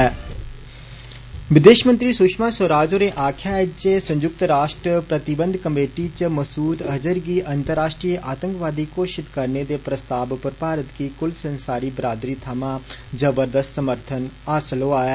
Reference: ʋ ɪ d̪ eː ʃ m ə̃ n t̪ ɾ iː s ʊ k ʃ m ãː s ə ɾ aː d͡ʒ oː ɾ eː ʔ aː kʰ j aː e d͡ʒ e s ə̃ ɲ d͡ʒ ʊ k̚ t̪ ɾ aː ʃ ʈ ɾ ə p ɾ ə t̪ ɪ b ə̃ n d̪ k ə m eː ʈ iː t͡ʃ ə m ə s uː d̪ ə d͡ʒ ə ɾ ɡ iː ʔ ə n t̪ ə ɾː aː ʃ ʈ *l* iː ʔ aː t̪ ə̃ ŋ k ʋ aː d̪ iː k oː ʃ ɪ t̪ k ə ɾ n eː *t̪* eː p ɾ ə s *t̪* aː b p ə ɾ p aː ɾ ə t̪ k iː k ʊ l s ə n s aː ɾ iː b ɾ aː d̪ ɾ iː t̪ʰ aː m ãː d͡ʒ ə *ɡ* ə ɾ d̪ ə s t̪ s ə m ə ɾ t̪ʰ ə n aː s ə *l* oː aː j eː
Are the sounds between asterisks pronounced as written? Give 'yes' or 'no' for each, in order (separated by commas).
no, no, yes, no, yes